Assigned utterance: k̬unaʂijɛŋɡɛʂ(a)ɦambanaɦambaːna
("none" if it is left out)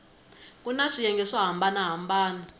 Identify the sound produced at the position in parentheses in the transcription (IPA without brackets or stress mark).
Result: a